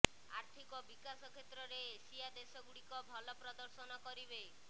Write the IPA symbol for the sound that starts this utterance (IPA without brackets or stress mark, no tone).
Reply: a